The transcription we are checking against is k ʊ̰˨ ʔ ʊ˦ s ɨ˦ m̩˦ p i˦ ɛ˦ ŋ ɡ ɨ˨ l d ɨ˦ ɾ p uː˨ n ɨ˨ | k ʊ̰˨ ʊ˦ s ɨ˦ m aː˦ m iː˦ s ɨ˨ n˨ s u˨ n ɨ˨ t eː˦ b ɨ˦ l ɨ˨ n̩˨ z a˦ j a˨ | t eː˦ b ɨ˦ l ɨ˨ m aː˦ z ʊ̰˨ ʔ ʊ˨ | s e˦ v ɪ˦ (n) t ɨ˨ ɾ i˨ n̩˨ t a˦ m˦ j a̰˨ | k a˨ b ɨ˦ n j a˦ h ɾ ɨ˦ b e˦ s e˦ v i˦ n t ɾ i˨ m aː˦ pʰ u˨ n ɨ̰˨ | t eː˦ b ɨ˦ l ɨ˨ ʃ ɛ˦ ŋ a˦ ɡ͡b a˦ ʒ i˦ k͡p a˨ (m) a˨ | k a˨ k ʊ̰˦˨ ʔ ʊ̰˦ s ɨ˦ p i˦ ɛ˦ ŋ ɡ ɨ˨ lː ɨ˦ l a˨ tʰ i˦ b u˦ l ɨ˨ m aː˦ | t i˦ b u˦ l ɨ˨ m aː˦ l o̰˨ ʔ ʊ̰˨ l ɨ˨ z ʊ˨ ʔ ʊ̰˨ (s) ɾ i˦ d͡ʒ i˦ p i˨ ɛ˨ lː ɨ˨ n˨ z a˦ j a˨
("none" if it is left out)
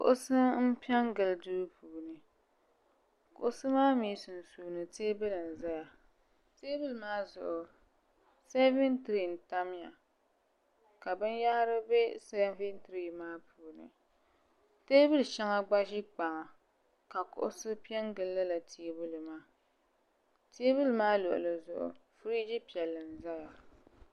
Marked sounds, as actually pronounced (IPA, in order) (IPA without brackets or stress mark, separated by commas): n, ŋ, f